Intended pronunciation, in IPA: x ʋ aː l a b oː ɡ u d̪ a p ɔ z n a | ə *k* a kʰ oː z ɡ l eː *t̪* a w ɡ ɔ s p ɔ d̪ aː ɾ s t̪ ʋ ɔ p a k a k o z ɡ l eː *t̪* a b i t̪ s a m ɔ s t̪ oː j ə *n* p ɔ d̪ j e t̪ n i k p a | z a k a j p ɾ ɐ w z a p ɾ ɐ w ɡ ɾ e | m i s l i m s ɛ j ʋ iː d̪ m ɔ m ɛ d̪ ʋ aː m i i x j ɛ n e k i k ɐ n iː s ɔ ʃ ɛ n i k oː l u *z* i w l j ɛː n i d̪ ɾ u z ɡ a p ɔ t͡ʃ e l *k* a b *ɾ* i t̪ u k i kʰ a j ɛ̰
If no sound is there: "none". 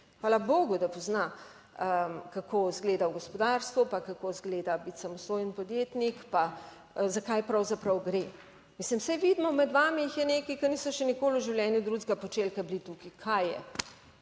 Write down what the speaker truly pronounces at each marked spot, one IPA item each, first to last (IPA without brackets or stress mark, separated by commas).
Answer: k, d̪, d̪, n, ʒ, k, l